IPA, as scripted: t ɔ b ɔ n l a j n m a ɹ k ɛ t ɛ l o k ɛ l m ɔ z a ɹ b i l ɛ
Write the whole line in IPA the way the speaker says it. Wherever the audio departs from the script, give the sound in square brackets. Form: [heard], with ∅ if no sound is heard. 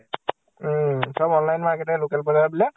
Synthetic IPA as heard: [s] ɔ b ɔ n l a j n m a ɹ k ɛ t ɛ l o k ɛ l [b] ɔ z a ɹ b i l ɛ